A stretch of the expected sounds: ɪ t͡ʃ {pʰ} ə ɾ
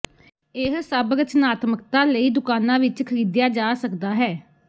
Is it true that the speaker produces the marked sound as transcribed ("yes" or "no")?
no